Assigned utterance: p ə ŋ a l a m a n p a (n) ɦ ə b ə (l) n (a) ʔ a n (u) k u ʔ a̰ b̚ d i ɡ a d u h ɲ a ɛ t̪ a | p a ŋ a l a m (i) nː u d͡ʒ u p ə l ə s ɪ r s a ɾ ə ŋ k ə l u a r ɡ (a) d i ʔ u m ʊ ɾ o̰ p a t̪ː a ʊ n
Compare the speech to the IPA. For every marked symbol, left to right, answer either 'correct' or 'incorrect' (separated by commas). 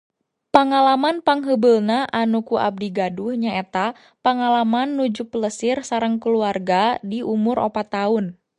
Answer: incorrect, correct, correct, correct, incorrect, correct